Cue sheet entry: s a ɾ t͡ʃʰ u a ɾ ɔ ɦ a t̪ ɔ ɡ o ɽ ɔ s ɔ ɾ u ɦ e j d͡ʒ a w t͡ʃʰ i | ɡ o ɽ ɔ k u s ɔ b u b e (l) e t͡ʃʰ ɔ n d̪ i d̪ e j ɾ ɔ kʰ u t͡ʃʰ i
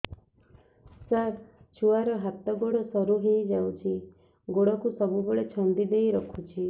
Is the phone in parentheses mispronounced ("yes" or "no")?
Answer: yes